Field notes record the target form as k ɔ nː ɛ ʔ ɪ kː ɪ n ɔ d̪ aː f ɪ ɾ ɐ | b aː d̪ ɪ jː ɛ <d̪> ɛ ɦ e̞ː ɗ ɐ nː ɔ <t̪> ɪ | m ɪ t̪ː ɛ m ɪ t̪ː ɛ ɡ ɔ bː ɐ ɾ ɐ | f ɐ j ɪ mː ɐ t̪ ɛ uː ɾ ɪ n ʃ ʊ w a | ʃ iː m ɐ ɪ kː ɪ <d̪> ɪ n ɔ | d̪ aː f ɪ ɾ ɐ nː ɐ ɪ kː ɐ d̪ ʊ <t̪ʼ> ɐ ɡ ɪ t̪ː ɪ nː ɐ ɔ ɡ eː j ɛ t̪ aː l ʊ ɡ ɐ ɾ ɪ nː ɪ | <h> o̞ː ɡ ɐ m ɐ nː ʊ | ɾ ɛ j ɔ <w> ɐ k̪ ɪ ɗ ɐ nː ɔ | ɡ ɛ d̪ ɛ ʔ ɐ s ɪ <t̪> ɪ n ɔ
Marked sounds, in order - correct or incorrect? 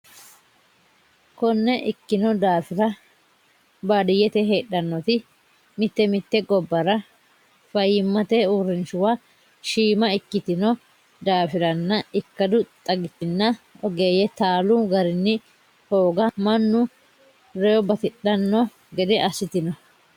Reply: incorrect, correct, incorrect, correct, correct, incorrect, correct

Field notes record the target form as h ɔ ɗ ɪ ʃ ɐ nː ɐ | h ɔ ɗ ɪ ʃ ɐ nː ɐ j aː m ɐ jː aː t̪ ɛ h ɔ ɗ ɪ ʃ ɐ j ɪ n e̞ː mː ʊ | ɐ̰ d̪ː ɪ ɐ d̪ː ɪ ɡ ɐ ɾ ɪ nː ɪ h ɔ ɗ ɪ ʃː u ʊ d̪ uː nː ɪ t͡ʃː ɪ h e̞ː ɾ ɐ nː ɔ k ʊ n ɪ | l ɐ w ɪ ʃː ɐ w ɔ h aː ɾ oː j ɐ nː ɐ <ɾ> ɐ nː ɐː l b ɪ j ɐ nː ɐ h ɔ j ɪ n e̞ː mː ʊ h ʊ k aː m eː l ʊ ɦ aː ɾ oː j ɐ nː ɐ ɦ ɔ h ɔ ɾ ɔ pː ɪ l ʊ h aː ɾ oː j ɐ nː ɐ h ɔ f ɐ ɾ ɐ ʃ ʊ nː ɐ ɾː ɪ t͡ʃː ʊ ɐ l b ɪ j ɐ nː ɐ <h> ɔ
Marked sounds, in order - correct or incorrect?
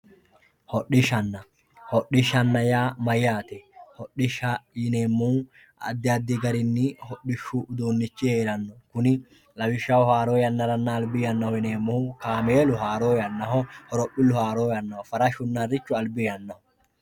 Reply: correct, correct

